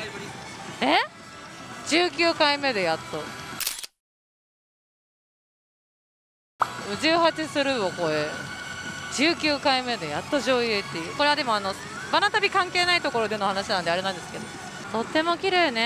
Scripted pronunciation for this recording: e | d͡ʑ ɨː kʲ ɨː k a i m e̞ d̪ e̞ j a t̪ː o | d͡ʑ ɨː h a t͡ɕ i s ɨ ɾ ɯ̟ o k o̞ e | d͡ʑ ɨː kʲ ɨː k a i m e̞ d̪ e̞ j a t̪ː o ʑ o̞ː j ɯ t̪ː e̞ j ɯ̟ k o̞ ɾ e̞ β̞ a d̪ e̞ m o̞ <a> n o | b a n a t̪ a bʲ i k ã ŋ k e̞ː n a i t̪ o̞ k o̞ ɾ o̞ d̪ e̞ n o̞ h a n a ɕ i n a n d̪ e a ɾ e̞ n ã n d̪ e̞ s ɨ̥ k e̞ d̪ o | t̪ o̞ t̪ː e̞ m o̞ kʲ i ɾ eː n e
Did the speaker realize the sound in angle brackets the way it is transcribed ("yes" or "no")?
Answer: yes